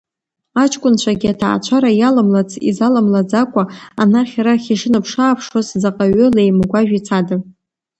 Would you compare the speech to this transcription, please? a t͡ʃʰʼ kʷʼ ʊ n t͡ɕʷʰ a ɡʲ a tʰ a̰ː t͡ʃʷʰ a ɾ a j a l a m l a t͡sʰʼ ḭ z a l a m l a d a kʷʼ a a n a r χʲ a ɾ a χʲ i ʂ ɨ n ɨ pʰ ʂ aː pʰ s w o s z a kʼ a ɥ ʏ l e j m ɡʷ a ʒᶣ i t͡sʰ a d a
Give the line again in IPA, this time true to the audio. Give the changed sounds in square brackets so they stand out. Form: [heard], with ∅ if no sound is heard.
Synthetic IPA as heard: a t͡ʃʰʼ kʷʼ ʊ n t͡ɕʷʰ a ɡʲ a tʰ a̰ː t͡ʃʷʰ a ɾ a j a l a m l a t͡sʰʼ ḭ z a l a m l a [d͡z] a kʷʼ a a n a r χʲ a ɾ a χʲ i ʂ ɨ n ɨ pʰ ʂ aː pʰ [ʂ] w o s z a [qʼ] a ɥ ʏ l e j m ɡʷ a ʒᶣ i t͡sʰ a d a